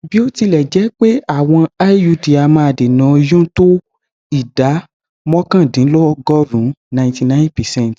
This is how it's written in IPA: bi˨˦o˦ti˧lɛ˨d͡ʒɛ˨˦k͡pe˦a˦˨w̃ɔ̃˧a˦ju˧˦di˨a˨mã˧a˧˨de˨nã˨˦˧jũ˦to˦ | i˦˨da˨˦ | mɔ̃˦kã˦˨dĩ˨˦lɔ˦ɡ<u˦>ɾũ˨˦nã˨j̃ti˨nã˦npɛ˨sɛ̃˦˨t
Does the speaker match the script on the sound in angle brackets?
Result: no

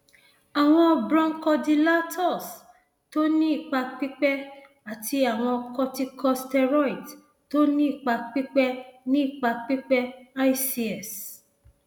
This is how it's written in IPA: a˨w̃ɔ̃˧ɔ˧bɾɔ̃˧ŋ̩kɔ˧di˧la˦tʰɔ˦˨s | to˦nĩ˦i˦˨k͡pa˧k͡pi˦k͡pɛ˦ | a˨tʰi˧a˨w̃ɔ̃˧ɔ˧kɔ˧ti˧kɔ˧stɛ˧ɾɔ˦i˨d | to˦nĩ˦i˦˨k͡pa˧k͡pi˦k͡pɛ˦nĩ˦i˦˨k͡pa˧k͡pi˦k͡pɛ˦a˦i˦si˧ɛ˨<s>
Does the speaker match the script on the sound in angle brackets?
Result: yes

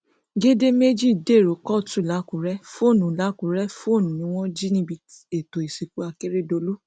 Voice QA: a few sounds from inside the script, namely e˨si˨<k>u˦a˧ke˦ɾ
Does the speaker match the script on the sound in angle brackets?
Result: yes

